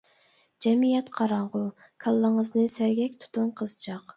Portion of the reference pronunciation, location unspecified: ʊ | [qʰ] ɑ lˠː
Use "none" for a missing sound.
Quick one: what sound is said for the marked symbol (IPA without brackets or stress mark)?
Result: kʰ